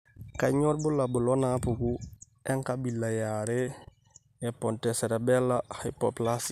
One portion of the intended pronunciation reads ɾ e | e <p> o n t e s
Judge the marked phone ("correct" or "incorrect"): correct